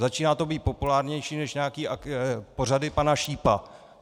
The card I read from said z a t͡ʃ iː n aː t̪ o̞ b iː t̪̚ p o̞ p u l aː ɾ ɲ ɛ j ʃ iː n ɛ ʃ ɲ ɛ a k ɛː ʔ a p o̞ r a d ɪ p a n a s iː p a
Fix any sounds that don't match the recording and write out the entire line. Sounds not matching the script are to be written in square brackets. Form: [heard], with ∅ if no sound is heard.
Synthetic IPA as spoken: z a t͡ʃ iː n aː t̪ o̞ b iː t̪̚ p o̞ p u l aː ɾ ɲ ɛ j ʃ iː n ɛ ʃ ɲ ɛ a k [iː] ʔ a p o̞ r a d ɪ p a n a [ʃ] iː p a